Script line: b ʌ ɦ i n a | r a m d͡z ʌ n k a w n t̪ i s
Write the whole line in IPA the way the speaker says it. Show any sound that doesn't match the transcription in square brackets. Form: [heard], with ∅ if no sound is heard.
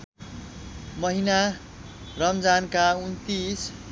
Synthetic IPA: [m] ʌ ɦ i n a | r [ʌ] m d͡z [a] n k a [u] n t̪ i s

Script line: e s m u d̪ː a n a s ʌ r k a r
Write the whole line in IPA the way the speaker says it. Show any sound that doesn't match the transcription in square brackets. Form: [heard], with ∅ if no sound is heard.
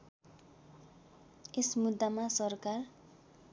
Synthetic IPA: e s m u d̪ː a [m] a s ʌ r k a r

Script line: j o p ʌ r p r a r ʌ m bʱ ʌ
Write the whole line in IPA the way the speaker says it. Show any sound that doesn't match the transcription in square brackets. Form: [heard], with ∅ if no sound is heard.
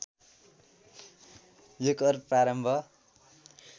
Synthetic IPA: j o [k] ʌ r p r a [ɾ] ʌ m bʱ ʌ

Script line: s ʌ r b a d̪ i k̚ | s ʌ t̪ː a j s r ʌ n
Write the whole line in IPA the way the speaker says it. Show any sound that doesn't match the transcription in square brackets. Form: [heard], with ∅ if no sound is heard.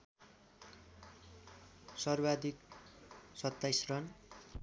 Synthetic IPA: s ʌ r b a d̪ i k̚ | s ʌ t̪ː a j s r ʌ n

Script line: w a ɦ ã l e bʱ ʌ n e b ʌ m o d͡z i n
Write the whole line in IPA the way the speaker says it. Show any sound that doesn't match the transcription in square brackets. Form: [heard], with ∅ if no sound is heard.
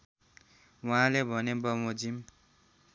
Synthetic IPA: w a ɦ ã l e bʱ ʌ n e b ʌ m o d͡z i [m]

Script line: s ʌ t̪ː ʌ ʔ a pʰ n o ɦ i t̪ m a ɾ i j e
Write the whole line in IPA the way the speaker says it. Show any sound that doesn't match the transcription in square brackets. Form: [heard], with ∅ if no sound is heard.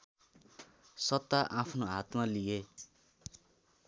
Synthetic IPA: s ʌ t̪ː [a] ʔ a pʰ n o ɦ [a] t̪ m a [l] i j e

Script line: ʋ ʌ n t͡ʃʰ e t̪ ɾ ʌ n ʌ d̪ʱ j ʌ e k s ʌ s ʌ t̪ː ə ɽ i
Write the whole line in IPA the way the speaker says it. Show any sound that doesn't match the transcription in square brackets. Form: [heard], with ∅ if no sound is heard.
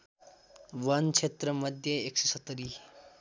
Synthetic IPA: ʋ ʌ n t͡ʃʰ e t̪ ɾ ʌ [m] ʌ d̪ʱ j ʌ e k s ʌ s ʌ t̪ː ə [ɾ] i

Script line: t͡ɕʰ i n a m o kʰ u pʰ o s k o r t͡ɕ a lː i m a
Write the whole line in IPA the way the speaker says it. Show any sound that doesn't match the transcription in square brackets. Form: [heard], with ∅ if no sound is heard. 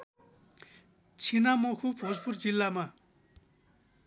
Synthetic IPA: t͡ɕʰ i n a m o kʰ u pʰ o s [p] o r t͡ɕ [i] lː [a] m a

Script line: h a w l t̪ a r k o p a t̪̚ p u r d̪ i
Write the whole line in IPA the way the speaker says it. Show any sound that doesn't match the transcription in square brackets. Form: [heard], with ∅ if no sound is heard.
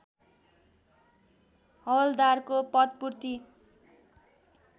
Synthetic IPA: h [ʌ] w l [d̪] a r k o p [ʌ] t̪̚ p u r [t̪] i

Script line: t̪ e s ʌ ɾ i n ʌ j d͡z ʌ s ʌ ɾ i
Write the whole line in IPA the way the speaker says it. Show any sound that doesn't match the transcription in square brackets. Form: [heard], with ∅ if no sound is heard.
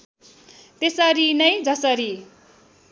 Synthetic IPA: t̪ e s ʌ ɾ i n ʌ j d͡z ʌ s ʌ ɾ i

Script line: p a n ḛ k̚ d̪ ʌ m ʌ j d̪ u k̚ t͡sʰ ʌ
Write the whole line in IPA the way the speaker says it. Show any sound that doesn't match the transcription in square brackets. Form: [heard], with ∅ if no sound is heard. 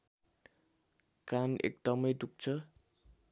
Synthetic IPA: [k] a n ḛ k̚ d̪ ʌ m ʌ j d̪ u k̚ t͡sʰ ʌ

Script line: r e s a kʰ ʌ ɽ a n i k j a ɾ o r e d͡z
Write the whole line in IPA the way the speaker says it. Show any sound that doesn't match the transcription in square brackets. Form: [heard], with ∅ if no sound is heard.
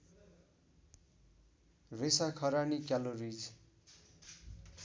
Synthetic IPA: r e s a kʰ ʌ [ɾ] a n i k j a [l] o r [i] d͡z

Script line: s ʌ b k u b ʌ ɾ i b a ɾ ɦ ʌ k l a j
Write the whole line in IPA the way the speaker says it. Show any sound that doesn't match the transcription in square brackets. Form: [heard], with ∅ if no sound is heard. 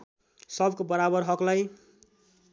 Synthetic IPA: s ʌ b k [o] b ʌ ɾ [a] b [ʌ] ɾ ɦ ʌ k l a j

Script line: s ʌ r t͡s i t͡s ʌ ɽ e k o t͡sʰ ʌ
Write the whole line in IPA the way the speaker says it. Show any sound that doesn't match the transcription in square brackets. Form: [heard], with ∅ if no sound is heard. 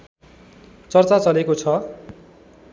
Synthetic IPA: [t͡s] ʌ r t͡s [a] t͡s ʌ [l] e k o t͡sʰ ʌ

